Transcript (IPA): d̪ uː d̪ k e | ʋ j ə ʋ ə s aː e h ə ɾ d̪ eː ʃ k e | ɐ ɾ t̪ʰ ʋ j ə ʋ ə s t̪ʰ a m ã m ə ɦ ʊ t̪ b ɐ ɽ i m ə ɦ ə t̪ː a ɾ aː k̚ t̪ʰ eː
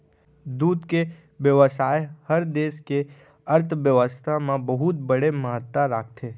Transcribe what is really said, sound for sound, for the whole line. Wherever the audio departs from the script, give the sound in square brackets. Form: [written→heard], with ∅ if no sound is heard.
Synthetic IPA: d̪ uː d̪ k e | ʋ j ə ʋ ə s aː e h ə ɾ d̪ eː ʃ k e | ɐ ɾ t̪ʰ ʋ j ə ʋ ə s t̪ʰ a m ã [m→b] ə ɦ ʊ t̪ b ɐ ɽ [i→e] m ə ɦ ə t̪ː a ɾ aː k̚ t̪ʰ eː